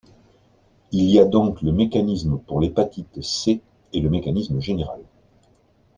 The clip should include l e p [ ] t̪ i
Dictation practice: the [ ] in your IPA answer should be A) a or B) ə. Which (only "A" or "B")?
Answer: A